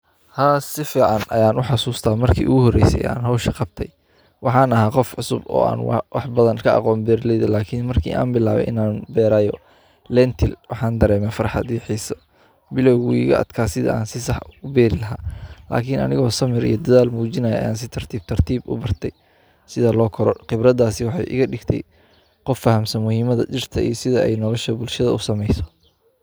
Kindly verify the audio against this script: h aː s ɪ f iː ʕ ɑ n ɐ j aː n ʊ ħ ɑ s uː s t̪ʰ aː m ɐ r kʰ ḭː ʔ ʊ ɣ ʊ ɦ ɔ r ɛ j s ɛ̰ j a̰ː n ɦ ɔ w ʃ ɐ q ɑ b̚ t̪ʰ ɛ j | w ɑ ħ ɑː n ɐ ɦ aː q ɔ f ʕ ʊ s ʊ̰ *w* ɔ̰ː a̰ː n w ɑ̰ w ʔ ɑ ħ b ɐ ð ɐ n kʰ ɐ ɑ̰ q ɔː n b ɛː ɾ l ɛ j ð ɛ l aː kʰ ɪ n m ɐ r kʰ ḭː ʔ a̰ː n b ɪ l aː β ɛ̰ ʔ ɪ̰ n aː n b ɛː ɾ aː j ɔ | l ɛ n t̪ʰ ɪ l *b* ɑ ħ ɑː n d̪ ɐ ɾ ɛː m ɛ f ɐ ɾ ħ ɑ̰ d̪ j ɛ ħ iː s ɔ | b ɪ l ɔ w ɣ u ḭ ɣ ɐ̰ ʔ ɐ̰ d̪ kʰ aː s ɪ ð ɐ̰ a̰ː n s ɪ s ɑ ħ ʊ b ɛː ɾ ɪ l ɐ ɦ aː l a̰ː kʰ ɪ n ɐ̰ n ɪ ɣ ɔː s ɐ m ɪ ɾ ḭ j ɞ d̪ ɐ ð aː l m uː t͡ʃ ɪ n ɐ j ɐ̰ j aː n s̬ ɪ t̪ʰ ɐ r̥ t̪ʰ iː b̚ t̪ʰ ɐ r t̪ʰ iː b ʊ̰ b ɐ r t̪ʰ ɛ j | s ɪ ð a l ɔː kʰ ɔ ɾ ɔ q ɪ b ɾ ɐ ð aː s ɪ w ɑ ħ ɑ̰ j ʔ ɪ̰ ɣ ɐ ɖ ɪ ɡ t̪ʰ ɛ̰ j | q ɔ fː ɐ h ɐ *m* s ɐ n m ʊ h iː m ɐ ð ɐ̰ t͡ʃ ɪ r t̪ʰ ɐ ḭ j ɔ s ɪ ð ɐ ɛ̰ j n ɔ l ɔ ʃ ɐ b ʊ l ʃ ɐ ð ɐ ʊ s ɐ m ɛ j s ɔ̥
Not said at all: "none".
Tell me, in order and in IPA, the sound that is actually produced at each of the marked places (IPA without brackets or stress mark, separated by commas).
b, w, m